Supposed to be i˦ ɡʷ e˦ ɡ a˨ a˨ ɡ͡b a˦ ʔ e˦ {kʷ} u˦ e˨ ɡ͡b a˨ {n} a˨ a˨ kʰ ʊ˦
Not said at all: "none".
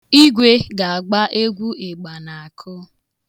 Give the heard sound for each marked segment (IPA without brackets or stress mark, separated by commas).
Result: ɡʷ, n